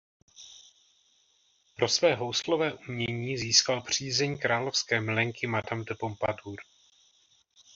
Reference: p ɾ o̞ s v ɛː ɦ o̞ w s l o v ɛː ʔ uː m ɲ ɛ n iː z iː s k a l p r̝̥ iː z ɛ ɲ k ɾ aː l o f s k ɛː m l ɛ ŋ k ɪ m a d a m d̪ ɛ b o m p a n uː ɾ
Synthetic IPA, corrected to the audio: p ɾ o̞ s v ɛː ɦ o̞ w s l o v ɛː ʔ u m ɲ ɛ ɲ iː z iː s k a l p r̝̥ iː z ɛ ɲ k ɾ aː l o f s k ɛː m l ɛ ŋ k ɪ m a d a m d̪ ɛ p o m p a d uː ɾ